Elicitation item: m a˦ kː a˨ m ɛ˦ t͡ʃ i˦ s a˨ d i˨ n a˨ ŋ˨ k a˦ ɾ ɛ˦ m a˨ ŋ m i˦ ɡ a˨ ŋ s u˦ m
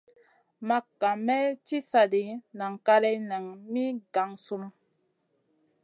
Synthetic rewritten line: m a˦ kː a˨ m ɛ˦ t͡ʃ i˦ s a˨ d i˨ n a˨ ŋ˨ k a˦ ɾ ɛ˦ n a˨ ŋ m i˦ ɡ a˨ ŋ s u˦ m